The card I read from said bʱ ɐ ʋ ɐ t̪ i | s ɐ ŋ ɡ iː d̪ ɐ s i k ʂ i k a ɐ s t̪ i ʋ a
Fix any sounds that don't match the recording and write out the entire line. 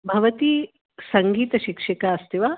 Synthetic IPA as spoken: bʱ ɐ ʋ ɐ t̪ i | s ɐ ŋ ɡ iː t̪ ɐ ʃ i k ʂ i k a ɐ s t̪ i ʋ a